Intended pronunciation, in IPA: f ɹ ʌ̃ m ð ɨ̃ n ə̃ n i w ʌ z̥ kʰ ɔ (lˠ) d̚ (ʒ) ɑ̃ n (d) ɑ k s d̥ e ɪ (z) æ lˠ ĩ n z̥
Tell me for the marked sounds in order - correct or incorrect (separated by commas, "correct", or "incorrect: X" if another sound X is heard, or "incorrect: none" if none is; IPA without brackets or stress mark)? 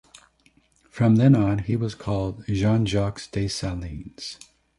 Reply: correct, correct, incorrect: d͡ʒ, incorrect: s